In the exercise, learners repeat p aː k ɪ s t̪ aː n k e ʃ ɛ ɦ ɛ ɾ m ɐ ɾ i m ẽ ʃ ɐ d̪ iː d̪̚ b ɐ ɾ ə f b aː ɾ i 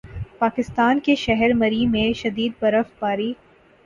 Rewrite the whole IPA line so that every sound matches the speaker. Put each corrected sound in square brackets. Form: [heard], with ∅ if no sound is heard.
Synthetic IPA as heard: p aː k ɪ s t̪ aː n k e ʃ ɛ ɦ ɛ ɾ m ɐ ɾ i m ẽ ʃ ɐ d̪ iː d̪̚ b ɐ ɾ ə f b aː ɾ i